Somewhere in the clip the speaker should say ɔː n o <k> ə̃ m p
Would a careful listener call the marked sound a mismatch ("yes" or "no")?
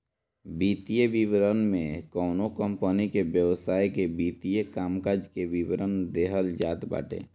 no